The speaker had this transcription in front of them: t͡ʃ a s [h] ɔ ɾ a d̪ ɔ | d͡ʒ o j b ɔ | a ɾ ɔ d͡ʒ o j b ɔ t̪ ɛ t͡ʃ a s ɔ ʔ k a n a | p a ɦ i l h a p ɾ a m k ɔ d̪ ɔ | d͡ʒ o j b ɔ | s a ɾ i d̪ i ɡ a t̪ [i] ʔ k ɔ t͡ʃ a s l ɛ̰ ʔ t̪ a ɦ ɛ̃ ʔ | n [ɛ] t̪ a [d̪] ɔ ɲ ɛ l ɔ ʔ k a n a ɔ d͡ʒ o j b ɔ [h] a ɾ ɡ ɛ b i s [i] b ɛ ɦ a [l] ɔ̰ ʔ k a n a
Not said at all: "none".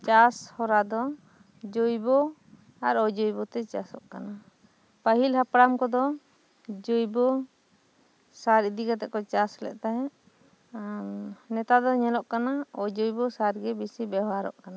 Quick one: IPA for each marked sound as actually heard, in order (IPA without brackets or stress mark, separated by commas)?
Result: h, ɛ, ɛ, d̪, s, i, ɾ